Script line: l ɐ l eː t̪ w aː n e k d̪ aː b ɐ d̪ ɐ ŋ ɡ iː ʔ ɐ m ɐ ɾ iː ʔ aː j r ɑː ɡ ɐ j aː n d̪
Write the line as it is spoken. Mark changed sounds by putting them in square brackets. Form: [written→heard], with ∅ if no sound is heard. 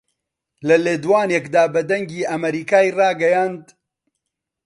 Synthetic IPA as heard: l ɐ l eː [t̪→d̪] w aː n e k d̪ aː b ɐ d̪ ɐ ŋ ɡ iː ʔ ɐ m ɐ ɾ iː [ʔ→k] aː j r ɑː ɡ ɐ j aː n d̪